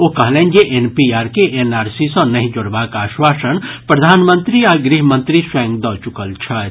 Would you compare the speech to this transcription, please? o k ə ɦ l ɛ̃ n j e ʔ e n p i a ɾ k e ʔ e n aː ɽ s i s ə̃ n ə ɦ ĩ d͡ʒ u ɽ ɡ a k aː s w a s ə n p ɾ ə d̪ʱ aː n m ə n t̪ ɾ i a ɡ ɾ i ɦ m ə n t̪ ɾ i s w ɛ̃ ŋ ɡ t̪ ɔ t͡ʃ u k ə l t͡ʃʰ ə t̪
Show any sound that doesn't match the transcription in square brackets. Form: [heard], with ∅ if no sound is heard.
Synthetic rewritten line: o k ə ɦ l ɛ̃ n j e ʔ e n p i a ɾ k e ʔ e n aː [ɾ] s i s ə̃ n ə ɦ ĩ d͡ʒ [o] ɽ [b] a k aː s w a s ə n p ɾ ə d̪ʱ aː n m ə n t̪ ɾ i a ɡ ɾ i ɦ m ə n t̪ ɾ i s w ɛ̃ ŋ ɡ [d̪] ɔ t͡ʃ u k ə l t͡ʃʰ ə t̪

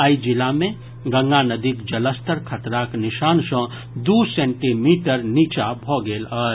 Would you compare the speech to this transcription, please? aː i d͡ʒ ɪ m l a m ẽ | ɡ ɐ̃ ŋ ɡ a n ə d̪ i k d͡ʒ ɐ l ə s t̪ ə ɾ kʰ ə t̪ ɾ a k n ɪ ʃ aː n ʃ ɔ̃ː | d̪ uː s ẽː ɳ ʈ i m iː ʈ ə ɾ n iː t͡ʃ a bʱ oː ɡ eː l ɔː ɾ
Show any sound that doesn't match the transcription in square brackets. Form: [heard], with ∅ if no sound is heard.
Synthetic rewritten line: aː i d͡ʒ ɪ [∅] l a m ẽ | ɡ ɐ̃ ŋ ɡ a n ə d̪ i k d͡ʒ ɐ l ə s t̪ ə ɾ kʰ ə t̪ ɾ a k n ɪ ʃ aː n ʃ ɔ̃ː | d̪ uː s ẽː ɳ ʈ i m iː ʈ ə ɾ n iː t͡ʃ a bʱ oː ɡ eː l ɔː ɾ

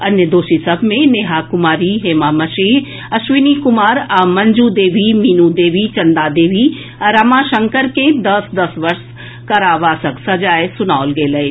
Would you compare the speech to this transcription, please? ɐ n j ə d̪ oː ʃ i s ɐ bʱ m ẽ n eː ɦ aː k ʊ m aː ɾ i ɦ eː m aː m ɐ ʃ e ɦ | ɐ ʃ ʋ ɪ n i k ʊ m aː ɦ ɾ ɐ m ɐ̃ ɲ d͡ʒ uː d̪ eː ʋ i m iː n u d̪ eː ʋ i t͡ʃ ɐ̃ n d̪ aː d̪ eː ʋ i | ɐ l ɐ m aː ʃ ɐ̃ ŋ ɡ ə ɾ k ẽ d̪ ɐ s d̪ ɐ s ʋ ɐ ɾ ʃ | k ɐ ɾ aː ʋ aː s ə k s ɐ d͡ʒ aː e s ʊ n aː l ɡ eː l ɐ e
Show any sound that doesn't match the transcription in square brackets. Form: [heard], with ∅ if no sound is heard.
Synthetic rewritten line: ɐ n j ə d̪ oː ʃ i s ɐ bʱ m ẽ n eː ɦ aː k ʊ m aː ɾ i ɦ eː m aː m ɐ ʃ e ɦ | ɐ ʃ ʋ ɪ n i k ʊ m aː [∅] ɾ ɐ m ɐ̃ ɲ d͡ʒ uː d̪ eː ʋ i m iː n u d̪ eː ʋ i t͡ʃ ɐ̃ n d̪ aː d̪ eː ʋ i | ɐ [ɾ] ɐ m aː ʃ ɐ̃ ŋ [k] ə ɾ k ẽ d̪ ɐ s d̪ ɐ s ʋ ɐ ɾ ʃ | k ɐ ɾ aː ʋ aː s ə k s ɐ d͡ʒ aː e s ʊ n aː l ɡ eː l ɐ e

